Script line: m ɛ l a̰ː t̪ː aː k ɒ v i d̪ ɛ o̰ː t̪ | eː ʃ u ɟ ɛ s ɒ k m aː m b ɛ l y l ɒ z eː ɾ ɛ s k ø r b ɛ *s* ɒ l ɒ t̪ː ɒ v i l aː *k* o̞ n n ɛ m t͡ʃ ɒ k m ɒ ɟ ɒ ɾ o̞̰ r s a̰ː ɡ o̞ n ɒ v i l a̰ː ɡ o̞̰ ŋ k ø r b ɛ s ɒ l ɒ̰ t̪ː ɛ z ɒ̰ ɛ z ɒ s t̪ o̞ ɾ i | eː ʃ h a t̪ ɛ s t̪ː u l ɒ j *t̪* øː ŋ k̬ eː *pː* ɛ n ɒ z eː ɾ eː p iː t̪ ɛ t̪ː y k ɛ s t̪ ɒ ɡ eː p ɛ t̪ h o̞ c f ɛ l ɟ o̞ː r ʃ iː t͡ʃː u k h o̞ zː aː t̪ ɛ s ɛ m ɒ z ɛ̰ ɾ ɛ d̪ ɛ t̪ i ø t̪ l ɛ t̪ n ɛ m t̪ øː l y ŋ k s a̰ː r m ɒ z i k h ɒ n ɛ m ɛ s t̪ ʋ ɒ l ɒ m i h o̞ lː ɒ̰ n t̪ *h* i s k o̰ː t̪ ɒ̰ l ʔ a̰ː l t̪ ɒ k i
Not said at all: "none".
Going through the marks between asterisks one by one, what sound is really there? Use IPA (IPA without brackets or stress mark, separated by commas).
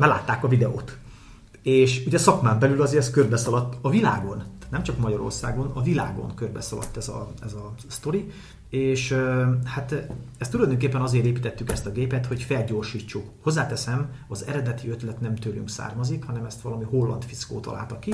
s, ɡ, d̪, pː, f